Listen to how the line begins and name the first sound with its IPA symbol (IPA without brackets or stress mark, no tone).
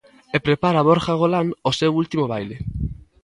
e